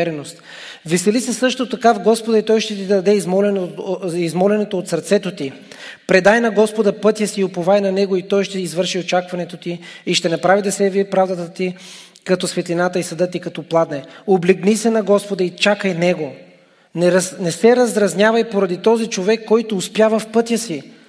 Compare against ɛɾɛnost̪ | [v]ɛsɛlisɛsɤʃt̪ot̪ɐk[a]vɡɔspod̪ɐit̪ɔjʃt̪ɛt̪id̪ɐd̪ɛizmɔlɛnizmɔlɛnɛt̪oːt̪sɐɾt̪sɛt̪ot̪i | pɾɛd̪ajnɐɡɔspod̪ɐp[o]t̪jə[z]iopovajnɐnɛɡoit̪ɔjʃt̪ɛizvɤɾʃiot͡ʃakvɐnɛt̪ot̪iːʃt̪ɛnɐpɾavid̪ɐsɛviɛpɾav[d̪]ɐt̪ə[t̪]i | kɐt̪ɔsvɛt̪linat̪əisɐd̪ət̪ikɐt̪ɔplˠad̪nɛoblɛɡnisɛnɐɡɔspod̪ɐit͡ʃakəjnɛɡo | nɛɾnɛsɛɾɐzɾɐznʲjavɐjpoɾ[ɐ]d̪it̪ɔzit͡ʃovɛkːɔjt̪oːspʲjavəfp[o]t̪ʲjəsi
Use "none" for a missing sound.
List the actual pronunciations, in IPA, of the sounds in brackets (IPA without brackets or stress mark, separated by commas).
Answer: v, a, ɤ, s, d̪, t̪, ɐ, ɤ